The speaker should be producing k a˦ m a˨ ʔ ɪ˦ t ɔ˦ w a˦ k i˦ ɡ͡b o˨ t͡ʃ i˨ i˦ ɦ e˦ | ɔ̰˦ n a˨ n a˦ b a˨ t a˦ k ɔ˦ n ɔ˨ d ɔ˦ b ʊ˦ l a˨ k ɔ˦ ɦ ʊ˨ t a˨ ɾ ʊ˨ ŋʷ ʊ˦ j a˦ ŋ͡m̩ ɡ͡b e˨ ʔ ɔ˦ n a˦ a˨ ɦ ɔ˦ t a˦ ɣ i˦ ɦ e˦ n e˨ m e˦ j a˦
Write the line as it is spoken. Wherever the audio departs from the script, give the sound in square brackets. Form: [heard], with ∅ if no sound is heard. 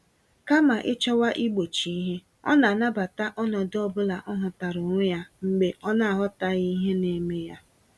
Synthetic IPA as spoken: k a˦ m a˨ ʔ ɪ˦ [t͡ʃ] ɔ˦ w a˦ [ʔ] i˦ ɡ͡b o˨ t͡ʃ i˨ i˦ ɦ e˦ | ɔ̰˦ n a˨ n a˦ b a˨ t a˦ [ʔ] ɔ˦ n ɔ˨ d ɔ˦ b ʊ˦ l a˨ [ʔ] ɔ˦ ɦ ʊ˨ t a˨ ɾ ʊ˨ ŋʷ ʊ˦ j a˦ ŋ͡m̩ ɡ͡b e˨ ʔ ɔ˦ n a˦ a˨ ɦ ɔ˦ t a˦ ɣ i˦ ɦ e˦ n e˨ m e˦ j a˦